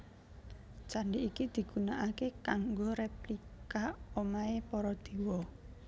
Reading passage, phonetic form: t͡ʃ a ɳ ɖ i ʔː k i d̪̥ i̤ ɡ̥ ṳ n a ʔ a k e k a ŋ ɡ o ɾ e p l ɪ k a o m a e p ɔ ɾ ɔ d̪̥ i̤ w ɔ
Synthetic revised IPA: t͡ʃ a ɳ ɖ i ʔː k i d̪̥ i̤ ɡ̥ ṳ n a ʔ a k e k a ŋ ɡ o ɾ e p l i k a o m a e p ɔ ɾ ɔ d̪̥ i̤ w ɔ